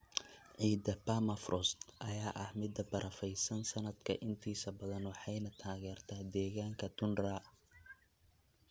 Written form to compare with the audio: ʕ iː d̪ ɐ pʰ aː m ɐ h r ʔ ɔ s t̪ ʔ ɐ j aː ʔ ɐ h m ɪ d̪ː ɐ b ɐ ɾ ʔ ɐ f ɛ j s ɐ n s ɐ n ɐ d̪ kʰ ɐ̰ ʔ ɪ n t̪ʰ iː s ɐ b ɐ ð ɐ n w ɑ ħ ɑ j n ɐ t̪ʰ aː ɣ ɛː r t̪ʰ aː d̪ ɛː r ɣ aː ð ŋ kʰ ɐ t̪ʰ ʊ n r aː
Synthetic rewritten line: ʕ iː d̪ ɐ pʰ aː m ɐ f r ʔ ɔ s t̪ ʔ ɐ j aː ʔ ɐ h m ɪ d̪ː ɐ b ɐ ɾ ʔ ɐ f ɛ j s ɐ n s ɐ n ɐ d̪ kʰ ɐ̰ ʔ ɪ n t̪ʰ iː s ɐ b ɐ ð ɐ n w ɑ ħ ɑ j n ɐ t̪ʰ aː ɣ ɛː r t̪ʰ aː d̪ ɛː ɣ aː ŋ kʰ ɐ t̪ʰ ʊ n r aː